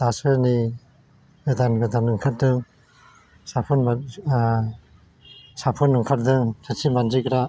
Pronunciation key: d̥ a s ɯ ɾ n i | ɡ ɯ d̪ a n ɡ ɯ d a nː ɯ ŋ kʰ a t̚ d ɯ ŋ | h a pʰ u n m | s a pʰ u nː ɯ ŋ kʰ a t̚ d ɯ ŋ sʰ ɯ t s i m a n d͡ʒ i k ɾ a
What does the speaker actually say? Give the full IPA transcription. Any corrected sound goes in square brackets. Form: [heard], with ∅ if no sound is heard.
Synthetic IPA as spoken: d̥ a s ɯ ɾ n i | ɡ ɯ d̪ a n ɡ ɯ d a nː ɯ ŋ kʰ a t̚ d ɯ ŋ | [s] a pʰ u n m | s a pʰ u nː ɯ ŋ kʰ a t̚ d ɯ ŋ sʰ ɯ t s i m a n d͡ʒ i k ɾ a